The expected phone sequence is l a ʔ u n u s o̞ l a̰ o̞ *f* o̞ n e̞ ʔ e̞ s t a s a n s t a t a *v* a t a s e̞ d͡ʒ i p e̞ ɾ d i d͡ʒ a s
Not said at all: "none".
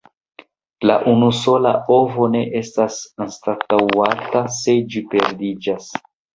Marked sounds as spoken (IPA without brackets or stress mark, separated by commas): v, w